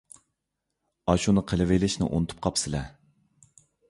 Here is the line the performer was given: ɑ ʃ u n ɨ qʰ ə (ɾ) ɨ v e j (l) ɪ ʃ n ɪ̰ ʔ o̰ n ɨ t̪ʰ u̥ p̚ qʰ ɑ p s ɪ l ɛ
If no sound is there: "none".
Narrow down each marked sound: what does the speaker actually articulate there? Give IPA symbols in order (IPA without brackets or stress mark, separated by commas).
l, l